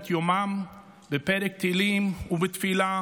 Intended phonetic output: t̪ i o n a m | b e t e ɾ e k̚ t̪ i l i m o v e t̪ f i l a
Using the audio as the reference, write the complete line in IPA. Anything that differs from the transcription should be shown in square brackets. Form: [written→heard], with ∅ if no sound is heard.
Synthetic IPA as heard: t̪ [i→j] o [n→m] a m | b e [t→p] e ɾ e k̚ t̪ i l i m [o→u] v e t̪ f i l a